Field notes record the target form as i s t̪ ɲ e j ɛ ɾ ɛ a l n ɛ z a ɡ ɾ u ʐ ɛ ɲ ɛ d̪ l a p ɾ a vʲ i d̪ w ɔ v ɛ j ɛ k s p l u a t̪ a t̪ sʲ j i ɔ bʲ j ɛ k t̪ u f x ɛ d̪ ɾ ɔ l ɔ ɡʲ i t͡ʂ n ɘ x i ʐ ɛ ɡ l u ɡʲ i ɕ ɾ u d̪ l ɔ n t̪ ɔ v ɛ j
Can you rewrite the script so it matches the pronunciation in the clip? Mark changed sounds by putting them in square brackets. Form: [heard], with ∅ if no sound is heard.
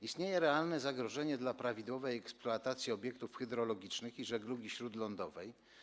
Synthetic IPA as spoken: i s t̪ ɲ e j ɛ ɾ ɛ a l n ɛ z a ɡ ɾ [ɔ] ʐ ɛ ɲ ɛ d̪ l a p ɾ a vʲ i d̪ w ɔ v ɛ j ɛ k s p l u a t̪ a t̪ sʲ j i ɔ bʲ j ɛ k t̪ u f x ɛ d̪ ɾ ɔ l ɔ ɡʲ i t͡ʂ n ɘ x i ʐ ɛ ɡ l u ɡʲ i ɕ ɾ u d̪ l ɔ n [d̪] ɔ v ɛ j